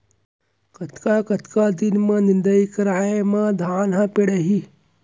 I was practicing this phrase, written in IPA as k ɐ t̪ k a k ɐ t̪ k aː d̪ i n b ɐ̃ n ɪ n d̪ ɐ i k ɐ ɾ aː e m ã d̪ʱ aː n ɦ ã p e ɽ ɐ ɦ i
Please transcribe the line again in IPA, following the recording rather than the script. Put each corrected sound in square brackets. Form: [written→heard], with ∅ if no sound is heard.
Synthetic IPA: k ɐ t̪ k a k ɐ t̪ k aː d̪ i n [b→m] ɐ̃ n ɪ n d̪ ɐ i k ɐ ɾ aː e m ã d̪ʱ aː n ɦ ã p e ɽ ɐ ɦ i